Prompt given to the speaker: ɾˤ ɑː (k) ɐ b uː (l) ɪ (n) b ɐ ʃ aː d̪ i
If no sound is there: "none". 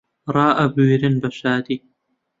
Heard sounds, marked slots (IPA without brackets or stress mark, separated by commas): ʔ, ɾ, n